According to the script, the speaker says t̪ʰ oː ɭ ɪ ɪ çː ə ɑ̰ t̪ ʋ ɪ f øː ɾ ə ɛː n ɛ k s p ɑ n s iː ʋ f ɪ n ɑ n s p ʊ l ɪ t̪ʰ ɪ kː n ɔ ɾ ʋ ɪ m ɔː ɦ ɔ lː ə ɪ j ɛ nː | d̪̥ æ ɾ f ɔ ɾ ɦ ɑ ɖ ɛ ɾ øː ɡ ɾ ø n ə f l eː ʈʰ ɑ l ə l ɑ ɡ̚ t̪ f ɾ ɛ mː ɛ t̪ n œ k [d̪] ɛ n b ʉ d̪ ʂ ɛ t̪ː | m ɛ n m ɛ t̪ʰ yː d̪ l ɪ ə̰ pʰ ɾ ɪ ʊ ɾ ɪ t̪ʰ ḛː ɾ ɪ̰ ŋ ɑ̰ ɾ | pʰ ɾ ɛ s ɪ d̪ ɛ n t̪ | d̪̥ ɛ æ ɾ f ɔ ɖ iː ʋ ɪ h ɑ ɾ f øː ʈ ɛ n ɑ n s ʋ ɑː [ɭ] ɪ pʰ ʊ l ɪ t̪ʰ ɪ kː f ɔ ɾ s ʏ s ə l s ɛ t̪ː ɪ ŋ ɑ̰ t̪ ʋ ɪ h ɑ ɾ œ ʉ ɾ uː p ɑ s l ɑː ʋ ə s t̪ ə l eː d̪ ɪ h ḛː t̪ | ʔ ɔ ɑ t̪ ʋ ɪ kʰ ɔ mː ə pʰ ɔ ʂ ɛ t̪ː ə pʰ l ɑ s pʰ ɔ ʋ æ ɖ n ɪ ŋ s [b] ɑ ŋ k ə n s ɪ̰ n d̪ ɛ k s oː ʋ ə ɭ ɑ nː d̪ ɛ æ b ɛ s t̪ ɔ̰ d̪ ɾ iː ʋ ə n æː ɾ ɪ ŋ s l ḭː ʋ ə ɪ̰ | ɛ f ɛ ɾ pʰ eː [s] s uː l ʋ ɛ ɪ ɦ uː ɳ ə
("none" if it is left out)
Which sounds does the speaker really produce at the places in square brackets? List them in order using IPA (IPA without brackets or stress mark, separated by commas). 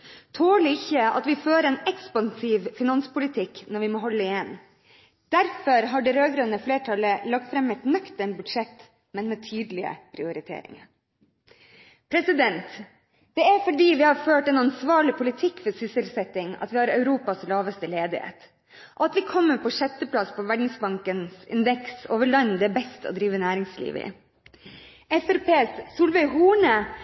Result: t̪, ɭ, b, s